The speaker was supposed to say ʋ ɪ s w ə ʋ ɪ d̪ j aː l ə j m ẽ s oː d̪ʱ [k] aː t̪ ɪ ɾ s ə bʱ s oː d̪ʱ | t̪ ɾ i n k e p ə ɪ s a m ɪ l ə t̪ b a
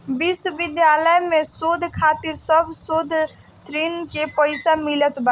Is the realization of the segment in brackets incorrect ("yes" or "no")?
yes